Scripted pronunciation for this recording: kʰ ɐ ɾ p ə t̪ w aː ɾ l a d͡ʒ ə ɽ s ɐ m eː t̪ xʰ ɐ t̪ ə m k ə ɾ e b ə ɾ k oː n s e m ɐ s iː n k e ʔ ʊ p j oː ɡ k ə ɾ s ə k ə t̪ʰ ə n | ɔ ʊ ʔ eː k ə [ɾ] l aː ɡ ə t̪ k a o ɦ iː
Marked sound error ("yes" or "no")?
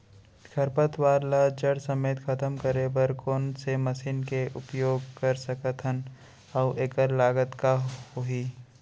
no